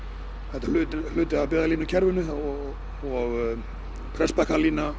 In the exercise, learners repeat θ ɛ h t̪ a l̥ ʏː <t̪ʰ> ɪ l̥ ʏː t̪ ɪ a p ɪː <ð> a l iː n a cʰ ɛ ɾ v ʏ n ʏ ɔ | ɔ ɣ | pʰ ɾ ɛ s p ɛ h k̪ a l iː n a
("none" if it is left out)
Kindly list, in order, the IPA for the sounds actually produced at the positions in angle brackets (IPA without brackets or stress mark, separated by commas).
t̪, ð